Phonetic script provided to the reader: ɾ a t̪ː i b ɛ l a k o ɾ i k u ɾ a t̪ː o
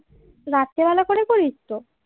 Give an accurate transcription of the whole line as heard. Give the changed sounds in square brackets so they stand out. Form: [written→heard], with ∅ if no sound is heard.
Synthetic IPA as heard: ɾ a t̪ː [i→e] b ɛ l a k o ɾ [i→e] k [u→o] ɾ [a→i] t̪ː o